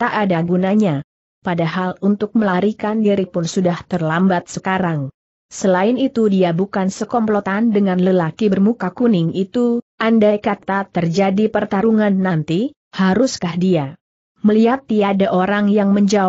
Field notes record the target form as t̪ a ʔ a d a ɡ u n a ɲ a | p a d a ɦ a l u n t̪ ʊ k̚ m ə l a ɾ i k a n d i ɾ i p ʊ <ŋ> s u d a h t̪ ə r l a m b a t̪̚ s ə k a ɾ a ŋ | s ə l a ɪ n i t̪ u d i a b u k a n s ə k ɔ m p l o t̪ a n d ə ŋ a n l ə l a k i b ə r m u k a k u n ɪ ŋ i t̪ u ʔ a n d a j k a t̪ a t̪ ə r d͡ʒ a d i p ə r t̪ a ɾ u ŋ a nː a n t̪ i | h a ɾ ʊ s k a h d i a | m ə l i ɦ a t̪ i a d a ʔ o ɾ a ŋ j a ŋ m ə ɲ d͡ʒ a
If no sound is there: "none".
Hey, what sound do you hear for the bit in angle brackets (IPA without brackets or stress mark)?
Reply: n